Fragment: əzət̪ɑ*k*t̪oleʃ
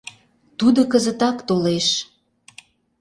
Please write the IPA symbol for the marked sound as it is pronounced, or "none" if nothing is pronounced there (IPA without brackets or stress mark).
k